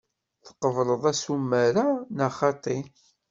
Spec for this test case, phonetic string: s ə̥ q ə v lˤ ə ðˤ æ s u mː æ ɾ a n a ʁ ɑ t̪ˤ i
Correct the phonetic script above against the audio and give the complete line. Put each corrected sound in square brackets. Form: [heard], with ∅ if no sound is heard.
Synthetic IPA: [θ] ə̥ q ə v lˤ ə ðˤ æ s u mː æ ɾ a n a [χ] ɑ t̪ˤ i